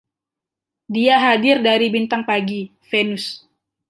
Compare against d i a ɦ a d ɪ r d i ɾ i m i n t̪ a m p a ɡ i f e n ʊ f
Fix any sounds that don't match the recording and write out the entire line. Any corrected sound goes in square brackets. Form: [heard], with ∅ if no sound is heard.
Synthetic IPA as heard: d i a ɦ a d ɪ r d [a] ɾ i [b] i n t̪ a [ŋ] p a ɡ i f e n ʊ [s]